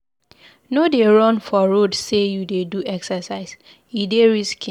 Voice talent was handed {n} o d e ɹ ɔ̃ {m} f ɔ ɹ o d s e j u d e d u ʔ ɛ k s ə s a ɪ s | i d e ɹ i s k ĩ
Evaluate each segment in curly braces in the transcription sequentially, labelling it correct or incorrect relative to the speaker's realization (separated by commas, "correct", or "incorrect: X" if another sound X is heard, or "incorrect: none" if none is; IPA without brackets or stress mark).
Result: correct, incorrect: n